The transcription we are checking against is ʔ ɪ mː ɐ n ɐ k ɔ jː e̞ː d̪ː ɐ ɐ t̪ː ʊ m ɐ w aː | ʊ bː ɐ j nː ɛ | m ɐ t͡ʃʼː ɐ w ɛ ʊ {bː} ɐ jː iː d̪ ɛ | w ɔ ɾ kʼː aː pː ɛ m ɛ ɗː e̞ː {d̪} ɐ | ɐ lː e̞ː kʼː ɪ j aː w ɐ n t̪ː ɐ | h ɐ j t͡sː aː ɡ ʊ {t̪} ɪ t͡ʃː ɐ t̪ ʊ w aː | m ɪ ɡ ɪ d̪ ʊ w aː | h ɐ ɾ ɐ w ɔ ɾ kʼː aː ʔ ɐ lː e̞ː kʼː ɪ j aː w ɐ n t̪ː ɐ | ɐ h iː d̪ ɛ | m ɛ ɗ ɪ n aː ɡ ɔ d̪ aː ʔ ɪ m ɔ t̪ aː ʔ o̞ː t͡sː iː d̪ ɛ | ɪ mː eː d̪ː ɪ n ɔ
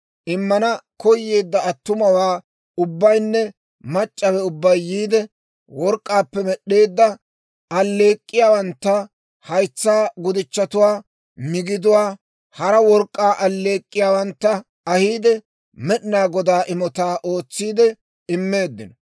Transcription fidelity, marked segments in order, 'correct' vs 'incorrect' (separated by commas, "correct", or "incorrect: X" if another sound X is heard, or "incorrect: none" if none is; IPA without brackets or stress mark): correct, incorrect: d̪ː, incorrect: d̪